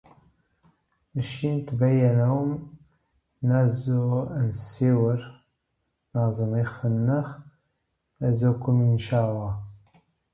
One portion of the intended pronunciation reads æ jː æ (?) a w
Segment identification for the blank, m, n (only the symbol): n